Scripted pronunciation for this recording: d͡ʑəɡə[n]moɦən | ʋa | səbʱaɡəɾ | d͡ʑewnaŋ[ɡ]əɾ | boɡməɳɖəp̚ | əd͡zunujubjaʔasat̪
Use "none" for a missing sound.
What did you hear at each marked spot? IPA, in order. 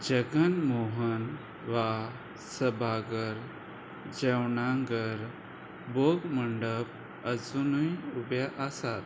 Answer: n, ɡ

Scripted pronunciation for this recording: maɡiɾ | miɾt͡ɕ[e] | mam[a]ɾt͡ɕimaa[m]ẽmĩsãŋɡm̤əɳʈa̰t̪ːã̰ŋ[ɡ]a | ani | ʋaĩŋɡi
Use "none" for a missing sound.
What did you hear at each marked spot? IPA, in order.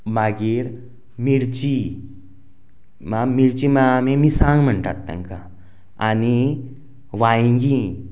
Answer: i, i, m, k

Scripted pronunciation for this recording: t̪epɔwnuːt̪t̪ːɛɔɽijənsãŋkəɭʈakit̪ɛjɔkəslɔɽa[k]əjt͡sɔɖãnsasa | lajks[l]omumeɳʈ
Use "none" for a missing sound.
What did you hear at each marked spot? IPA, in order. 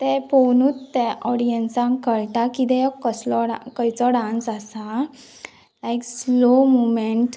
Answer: k, l

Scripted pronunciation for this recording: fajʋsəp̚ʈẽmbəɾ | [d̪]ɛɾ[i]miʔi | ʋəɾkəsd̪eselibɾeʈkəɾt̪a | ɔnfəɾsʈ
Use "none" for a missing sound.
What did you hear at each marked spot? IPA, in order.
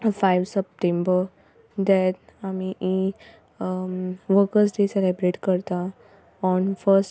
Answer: d̪, a

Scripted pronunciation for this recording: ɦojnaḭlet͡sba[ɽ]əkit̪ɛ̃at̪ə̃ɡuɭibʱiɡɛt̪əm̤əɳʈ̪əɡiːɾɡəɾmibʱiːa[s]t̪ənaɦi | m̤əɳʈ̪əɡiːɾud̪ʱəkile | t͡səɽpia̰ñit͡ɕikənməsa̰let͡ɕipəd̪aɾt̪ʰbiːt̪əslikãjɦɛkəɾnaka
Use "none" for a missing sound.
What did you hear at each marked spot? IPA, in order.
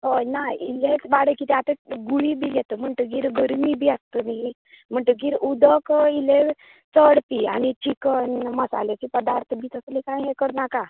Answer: ɽ, s

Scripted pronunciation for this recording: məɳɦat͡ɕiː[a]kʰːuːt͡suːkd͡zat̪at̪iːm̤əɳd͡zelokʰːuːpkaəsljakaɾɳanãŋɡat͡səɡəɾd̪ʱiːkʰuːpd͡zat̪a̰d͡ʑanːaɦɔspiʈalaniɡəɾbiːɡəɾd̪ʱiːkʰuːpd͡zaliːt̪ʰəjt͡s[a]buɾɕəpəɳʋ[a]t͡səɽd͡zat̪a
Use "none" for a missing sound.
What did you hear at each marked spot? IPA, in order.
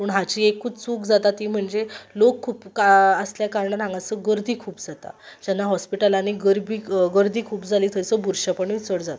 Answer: e, ə, i

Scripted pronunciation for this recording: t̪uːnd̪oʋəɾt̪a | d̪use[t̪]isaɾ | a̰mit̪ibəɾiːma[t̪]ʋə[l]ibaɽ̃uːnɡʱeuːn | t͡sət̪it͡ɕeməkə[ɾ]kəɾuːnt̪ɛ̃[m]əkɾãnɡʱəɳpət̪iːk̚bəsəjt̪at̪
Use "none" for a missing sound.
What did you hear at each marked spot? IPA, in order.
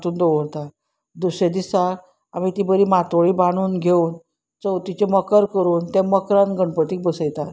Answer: d̪, t̪, ɭ, ɾ, m

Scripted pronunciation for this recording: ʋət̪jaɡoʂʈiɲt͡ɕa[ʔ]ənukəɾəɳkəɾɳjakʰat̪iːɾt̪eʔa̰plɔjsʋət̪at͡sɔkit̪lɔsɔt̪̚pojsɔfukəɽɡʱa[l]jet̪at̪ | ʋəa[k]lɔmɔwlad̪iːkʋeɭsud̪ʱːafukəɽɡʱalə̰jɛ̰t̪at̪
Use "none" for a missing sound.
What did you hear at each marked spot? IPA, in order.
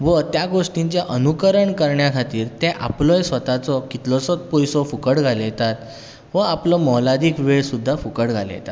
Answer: ʔ, l, p

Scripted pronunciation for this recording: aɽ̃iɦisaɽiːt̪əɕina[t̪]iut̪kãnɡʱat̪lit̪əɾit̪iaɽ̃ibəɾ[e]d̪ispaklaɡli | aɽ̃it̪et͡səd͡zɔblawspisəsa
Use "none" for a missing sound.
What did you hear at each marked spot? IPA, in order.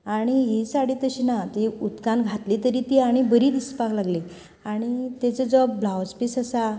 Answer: t̪, i

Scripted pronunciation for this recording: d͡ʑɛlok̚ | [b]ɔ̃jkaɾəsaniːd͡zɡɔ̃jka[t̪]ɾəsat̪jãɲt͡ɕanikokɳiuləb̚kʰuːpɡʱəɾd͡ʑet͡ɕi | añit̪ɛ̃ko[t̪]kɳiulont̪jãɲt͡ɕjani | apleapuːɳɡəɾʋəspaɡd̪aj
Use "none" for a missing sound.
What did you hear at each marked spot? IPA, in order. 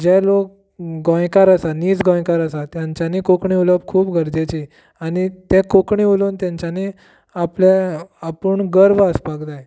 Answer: ɡ, none, none

